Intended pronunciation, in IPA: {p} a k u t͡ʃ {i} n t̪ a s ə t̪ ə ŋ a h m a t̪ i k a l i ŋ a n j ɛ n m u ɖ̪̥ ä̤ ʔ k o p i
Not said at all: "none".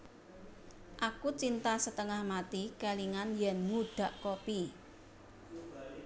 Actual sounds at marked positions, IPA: ʔ, i

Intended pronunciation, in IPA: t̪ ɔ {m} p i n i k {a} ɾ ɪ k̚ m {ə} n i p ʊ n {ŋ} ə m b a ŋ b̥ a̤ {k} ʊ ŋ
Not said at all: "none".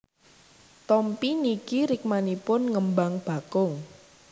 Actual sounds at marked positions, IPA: m, i, a, ŋ, k

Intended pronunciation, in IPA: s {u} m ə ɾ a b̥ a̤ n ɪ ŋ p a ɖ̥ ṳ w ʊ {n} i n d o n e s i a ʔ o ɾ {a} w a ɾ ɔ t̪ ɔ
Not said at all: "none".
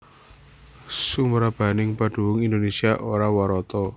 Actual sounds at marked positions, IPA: u, ŋ, a

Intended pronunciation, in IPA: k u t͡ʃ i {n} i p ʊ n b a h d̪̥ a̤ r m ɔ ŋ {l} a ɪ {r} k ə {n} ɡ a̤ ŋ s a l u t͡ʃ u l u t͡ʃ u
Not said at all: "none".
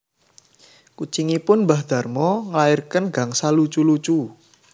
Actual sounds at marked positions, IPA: ŋ, l, r, n

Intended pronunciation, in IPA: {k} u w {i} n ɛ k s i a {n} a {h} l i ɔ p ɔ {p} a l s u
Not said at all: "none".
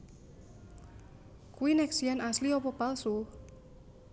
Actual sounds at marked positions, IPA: k, i, n, s, p

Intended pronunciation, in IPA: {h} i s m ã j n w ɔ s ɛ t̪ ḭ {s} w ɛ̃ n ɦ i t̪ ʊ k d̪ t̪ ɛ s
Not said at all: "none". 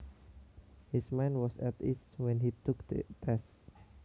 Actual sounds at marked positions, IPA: h, s

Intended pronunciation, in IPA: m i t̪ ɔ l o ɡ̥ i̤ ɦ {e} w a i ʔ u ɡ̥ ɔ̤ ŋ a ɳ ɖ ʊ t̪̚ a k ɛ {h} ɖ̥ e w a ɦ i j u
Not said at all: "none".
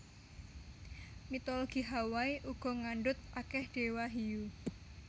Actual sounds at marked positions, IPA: a, h

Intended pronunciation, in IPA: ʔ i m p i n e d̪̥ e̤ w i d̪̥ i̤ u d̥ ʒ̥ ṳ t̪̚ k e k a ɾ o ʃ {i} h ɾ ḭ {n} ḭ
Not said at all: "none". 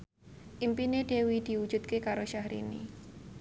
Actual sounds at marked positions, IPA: a, n

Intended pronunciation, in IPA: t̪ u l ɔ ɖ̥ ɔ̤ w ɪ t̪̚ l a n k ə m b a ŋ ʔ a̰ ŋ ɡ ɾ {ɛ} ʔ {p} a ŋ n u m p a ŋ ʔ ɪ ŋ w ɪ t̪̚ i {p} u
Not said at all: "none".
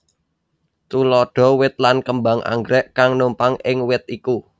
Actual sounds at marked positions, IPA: ɛ, k, k

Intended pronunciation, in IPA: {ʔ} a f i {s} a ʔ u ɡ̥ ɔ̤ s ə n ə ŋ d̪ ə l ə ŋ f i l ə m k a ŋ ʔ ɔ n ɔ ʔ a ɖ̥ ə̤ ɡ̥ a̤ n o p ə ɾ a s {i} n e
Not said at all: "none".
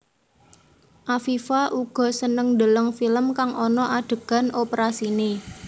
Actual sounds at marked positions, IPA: ʔ, f, i

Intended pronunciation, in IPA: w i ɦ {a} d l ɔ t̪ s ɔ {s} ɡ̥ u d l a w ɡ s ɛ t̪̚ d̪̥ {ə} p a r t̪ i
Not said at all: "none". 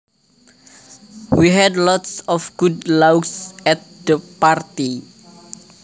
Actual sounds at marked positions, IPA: ɛ, f, ə

